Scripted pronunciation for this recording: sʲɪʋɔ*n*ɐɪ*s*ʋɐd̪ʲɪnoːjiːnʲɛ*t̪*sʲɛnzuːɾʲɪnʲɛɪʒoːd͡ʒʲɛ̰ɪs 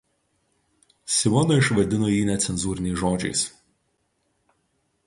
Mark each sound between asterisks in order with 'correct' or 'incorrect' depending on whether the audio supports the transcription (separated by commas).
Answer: correct, incorrect, correct